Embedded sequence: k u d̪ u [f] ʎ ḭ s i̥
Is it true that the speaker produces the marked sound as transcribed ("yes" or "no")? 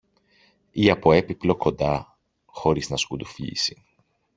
yes